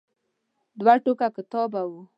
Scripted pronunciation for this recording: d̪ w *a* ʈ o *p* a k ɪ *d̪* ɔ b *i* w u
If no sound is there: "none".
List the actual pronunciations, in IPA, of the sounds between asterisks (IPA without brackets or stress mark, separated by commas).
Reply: a, k, t̪, a